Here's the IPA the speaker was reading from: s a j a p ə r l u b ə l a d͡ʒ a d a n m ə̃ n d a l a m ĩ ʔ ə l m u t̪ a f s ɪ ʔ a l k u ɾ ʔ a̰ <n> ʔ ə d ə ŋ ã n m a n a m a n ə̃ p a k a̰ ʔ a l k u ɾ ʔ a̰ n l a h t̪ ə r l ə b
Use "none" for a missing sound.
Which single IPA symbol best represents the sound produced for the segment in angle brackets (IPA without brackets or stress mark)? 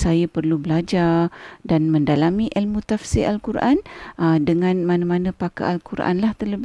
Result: n